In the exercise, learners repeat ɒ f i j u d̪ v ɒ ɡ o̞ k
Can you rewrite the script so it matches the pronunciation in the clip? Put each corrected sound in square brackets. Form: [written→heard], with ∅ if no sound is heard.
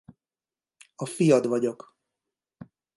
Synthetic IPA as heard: ɒ f i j [u→ɒ] d̪ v ɒ [ɡ→ɟ] o̞ k